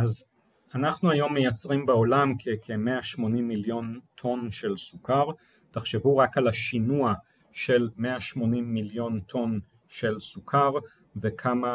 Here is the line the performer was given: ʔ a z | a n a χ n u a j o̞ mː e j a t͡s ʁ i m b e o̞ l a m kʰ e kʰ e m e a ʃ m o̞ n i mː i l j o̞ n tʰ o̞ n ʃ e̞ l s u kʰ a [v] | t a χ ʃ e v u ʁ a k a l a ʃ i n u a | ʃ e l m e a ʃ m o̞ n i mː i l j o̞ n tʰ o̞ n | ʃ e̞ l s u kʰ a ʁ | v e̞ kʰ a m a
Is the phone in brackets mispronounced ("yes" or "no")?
yes